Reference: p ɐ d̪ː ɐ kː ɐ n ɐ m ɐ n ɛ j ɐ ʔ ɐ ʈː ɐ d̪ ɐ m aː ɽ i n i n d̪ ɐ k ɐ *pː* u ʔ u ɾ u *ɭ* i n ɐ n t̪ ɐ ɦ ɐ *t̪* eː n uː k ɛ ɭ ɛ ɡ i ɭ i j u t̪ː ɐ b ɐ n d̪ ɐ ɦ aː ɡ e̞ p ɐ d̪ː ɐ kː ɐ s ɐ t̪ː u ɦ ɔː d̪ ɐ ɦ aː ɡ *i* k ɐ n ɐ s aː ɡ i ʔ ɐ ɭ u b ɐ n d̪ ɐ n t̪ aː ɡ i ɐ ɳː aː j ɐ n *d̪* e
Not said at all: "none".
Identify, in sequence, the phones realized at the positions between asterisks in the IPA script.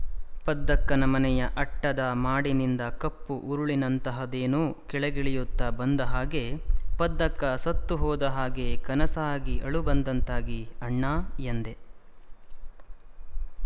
pː, ɭ, d̪, e, d̪

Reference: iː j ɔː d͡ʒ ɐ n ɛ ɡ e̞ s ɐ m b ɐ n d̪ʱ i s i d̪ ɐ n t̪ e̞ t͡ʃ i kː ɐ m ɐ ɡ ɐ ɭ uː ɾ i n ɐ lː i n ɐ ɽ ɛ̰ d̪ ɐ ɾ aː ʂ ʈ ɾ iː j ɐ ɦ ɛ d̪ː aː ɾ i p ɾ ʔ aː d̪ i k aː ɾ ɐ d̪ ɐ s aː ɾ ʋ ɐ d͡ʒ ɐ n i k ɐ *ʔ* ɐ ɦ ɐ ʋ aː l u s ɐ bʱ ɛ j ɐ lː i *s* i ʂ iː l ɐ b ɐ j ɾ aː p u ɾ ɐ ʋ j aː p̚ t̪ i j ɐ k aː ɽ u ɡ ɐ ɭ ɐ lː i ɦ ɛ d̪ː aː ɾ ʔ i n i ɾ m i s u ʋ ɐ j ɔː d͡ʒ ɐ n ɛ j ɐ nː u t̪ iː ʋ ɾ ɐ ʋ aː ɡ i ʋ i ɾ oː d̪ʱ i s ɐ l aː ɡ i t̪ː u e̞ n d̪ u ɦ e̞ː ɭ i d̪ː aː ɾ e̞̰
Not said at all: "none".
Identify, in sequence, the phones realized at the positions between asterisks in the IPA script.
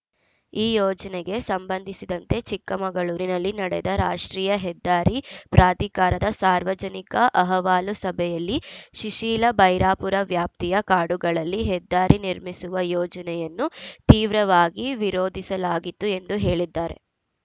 ʔ, ʃ

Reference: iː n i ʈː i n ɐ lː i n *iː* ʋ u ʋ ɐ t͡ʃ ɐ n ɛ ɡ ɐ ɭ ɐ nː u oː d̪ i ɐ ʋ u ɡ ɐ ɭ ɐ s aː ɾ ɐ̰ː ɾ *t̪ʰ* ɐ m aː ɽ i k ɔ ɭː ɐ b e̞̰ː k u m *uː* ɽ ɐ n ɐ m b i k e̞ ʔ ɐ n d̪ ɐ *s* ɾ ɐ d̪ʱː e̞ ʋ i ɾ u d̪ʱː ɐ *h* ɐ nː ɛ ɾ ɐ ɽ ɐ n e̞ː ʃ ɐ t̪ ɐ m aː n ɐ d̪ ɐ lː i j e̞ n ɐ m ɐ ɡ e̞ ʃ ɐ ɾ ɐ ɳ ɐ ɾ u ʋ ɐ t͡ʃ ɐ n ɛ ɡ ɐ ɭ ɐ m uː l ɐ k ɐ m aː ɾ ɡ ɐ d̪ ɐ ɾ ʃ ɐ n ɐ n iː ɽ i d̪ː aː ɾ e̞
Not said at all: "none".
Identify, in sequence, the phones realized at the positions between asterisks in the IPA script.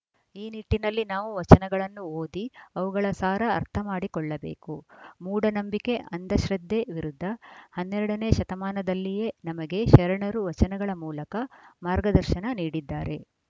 aː, t̪ʰ, uː, ʃ, h

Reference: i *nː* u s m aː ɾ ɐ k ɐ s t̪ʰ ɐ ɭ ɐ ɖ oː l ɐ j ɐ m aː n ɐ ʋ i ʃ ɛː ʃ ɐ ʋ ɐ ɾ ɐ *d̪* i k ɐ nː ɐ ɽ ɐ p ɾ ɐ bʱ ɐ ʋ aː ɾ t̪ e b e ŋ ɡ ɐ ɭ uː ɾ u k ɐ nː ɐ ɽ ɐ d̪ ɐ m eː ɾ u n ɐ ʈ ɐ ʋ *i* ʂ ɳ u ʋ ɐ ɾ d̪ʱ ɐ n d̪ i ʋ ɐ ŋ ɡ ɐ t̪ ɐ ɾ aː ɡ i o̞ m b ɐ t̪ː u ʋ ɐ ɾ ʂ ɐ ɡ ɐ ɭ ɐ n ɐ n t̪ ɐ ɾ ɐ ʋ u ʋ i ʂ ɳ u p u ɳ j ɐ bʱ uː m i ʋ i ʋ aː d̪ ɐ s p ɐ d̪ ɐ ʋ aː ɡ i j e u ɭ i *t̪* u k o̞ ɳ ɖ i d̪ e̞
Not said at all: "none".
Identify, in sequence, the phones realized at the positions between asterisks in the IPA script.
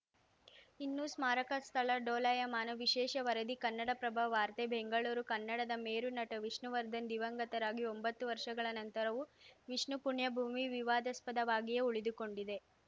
nː, d̪, i, d̪

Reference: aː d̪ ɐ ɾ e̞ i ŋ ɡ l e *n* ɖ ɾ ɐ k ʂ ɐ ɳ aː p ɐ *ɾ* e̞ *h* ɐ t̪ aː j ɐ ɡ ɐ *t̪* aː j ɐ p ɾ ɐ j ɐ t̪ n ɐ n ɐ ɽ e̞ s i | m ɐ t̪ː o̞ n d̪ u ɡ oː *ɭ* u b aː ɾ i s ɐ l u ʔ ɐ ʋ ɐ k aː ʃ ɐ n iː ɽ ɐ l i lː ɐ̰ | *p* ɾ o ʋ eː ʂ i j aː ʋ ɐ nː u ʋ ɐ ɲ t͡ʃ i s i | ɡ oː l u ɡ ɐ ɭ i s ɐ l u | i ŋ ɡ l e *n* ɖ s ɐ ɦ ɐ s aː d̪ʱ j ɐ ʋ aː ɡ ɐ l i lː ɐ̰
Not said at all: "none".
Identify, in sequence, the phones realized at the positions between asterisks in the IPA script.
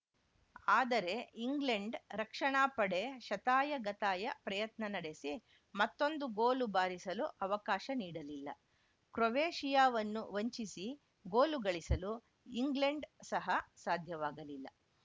ɳ, ɽ, ʃ, t̪, l, k, ɳ

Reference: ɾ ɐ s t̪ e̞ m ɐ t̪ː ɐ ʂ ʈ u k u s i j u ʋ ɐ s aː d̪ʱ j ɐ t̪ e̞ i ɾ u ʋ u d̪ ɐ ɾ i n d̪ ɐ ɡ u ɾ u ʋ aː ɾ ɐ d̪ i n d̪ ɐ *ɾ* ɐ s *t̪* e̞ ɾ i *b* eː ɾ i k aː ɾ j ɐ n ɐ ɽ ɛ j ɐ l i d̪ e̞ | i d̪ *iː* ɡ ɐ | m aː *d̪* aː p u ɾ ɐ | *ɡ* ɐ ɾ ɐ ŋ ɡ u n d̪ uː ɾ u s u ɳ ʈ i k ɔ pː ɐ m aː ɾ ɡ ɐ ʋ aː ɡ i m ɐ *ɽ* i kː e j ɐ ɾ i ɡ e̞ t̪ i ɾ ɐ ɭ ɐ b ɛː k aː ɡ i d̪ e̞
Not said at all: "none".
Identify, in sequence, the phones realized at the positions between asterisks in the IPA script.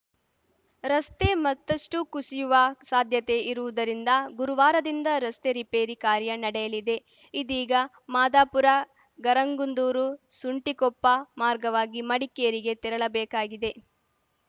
ɾ, t̪, p, iː, d̪, ɡ, ɽ

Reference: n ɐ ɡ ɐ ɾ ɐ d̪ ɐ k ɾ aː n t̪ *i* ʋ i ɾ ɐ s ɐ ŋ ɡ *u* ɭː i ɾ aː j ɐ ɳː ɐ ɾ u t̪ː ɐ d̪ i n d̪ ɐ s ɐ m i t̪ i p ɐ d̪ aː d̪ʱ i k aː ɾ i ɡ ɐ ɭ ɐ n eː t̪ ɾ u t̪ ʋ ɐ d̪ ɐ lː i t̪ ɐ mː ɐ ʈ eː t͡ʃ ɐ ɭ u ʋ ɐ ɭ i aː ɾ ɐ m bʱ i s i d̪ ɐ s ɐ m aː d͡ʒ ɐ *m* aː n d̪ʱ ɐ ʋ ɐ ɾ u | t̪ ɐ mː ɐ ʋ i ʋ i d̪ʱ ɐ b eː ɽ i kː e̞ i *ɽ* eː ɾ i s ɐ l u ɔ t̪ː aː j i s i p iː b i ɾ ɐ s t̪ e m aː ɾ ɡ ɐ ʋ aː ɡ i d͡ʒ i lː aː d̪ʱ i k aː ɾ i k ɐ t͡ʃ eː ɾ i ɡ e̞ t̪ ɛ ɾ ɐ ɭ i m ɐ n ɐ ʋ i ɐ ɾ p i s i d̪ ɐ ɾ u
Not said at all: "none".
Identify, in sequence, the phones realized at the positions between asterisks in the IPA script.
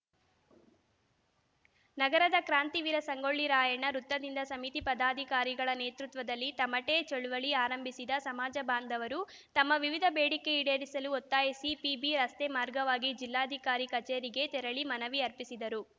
i, o, b, ɽ

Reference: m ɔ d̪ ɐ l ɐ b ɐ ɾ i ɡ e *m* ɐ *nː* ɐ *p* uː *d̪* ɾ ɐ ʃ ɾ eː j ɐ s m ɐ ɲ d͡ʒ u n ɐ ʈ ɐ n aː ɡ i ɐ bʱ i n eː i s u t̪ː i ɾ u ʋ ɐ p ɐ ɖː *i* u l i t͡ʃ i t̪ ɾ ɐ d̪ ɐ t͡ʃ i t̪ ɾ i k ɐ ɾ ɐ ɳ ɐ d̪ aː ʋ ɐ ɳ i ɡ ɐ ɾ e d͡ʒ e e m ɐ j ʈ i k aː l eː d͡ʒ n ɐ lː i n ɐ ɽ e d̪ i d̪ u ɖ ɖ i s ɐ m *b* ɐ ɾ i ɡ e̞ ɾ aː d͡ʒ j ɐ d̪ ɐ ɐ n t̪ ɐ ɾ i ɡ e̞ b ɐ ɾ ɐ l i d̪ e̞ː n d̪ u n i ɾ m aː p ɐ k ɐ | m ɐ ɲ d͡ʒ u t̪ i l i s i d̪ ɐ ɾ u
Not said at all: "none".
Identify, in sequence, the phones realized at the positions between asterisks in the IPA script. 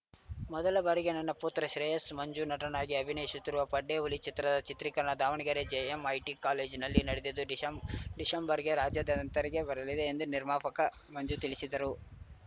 n, nː, p, t̪, e, b

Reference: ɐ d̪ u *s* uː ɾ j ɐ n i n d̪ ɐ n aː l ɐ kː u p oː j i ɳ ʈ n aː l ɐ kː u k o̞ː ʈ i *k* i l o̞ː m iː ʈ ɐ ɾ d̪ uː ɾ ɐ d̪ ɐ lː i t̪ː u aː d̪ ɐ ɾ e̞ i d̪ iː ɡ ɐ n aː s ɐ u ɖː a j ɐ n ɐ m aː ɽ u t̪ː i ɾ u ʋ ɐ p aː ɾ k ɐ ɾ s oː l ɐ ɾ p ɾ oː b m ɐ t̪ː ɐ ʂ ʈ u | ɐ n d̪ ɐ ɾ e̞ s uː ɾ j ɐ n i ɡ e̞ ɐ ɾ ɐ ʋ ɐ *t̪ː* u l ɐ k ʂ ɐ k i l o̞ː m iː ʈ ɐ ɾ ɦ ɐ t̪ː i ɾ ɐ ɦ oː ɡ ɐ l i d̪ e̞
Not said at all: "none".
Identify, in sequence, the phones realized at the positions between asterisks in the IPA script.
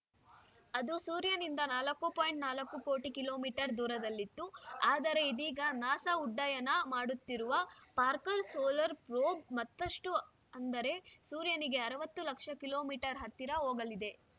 s, k, t̪ː

